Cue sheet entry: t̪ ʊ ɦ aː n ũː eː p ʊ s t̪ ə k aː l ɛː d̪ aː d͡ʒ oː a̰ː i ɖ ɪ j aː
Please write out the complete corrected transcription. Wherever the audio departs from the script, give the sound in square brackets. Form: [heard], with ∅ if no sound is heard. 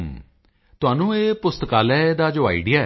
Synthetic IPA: t̪ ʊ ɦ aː n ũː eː p ʊ s t̪ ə k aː l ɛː d̪ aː d͡ʒ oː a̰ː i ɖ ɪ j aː

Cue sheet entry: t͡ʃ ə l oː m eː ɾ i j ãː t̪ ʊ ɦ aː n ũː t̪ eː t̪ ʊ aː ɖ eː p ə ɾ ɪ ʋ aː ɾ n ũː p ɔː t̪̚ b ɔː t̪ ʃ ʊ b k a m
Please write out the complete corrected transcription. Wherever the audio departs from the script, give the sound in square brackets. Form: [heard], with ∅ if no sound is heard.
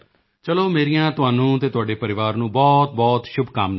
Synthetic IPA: t͡ʃ ə l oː m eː ɾ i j ãː t̪ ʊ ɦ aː n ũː t̪ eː t̪ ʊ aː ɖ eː p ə ɾ ɪ ʋ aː ɾ n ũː [b] ɔː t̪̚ b ɔː t̪ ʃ ʊ b k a m

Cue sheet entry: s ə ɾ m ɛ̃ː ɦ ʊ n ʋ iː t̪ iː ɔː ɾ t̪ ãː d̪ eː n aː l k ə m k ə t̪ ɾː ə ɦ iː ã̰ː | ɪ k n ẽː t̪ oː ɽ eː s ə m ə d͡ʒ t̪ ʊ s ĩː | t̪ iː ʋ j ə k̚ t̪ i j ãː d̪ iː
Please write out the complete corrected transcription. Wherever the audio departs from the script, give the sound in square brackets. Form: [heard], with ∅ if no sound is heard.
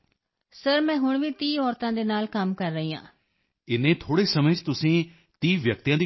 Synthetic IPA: s ə ɾ m ɛ̃ː ɦ ʊ [ɳ] ʋ iː t̪ iː ɔː ɾ t̪ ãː d̪ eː n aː l k ə m k ə [∅] ɾː ə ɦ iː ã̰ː | ɪ [∅] n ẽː [t̪ʰ] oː ɽ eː s ə m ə d͡ʒ t̪ ʊ s ĩː | t̪ iː ʋ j ə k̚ t̪ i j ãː d̪ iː

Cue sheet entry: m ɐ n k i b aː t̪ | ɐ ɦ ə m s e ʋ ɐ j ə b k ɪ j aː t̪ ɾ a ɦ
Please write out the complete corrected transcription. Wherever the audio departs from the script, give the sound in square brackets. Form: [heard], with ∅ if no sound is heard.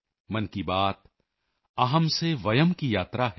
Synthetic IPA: m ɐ n k i b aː t̪ | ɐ ɦ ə m s e ʋ ɐ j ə [m] k [i] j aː t̪ ɾ a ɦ

